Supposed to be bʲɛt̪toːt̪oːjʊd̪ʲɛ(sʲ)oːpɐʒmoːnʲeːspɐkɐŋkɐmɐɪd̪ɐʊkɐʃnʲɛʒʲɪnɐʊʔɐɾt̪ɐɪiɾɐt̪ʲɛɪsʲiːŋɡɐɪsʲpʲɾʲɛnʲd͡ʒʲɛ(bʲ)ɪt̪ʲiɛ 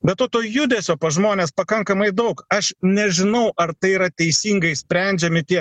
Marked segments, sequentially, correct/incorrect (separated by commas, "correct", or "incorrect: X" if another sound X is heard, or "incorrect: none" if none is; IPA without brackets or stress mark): correct, incorrect: mʲ